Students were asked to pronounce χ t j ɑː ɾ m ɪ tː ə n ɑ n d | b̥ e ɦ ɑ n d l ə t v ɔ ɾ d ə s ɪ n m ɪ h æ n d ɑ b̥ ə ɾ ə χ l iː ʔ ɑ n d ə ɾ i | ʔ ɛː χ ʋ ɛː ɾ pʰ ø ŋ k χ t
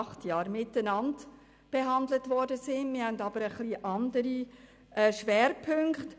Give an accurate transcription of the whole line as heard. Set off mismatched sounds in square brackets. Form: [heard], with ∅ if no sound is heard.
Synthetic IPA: χ t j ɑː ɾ m ɪ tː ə n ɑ n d | b̥ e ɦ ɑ n d l ə t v ɔ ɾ d ə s ɪ n m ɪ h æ n d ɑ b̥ ə ɾ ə χ l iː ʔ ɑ n d ə ɾ i | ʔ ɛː [ʃ] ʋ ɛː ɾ pʰ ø ŋ k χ t